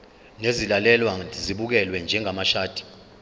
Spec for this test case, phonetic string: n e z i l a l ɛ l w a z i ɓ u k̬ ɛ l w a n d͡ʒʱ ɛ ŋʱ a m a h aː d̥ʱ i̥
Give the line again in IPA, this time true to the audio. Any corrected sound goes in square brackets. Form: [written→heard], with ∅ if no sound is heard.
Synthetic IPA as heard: n e z i l a l ɛ l w a z i ɓ u k̬ ɛ l w [a→ɛ] n d͡ʒʱ ɛ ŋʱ a m a [h→ʃ] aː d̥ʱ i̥